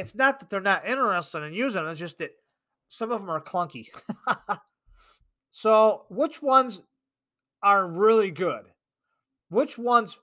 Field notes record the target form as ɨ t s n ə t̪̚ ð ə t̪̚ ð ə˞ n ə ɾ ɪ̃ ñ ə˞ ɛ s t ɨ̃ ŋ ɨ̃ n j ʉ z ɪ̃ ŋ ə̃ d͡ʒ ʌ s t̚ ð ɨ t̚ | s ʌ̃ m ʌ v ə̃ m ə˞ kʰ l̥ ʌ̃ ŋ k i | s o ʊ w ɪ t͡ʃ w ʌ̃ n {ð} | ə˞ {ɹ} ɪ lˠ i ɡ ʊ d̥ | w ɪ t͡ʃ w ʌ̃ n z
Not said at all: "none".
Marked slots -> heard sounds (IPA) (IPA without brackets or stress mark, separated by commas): z, ɹ